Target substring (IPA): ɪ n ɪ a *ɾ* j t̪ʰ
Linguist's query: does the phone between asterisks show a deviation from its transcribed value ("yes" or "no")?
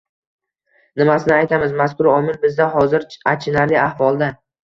yes